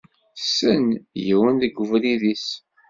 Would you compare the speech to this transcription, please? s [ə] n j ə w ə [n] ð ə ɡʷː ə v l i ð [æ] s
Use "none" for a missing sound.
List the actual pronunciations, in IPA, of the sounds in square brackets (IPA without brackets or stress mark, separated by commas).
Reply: ə, n, i